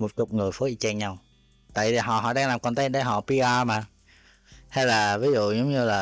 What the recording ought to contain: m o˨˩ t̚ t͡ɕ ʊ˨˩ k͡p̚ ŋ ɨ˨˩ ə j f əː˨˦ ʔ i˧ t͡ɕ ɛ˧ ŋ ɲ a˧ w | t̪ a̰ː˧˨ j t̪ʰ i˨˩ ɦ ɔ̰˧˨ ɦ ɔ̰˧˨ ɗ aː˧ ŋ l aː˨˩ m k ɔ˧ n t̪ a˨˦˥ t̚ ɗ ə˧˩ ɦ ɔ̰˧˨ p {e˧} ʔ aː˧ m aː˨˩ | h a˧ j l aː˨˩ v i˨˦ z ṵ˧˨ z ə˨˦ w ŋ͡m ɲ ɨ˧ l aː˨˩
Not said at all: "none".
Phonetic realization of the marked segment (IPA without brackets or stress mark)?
i˧